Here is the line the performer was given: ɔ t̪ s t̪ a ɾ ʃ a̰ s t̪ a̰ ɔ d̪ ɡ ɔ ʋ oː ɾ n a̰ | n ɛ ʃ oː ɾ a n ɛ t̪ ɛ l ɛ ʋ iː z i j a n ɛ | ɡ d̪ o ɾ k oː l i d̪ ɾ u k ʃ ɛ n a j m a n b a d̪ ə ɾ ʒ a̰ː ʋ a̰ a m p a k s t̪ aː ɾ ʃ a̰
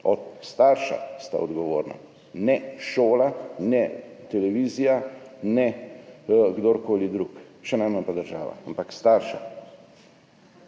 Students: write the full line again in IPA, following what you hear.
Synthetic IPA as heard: ɔ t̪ s t̪ a ɾ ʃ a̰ s t̪ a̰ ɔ d̪ ɡ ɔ ʋ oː ɾ n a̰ | n ɛ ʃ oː l a n ɛ t̪ ɛ l ɛ ʋ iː z i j a n ɛ | ɡ d̪ o ɾ k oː l i d̪ ɾ u k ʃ ɛ n a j m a n p a d̪ ə ɾ ʒ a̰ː ʋ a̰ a m p a k s t̪ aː ɾ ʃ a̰